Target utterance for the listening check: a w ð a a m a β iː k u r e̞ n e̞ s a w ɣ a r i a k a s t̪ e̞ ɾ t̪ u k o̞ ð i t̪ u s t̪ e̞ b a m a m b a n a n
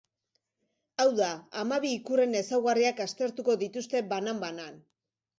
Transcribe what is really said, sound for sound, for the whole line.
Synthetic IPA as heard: a w ð a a m a β iː k u r e̞ n e̞ s a w ɣ a r i a k a s t̪ e̞ ɾ t̪ u k o̞ ð i t̪ u s t̪ e̞ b a n a m b a n a n